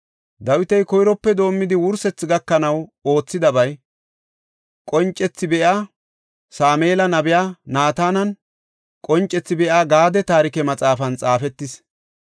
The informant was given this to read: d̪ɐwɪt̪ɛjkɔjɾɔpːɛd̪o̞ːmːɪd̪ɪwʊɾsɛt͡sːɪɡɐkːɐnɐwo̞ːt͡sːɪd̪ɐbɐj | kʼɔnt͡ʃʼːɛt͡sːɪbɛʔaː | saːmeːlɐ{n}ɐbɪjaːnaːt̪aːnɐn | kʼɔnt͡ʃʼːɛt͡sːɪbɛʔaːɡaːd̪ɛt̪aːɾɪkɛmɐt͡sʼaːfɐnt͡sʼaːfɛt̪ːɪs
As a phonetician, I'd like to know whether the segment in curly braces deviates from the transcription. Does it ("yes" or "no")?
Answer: no